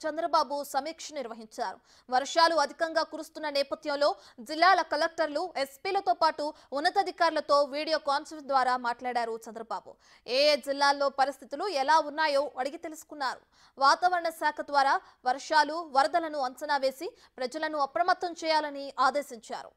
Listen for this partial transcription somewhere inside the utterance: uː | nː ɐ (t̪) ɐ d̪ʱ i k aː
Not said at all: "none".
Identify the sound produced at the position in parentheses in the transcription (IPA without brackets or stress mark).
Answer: t̪